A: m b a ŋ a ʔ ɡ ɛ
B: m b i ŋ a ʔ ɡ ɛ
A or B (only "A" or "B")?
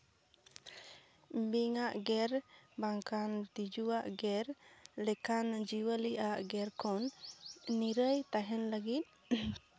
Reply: B